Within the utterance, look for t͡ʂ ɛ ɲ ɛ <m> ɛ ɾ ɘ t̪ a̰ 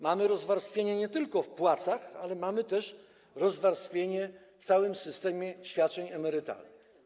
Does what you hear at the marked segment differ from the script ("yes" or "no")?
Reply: no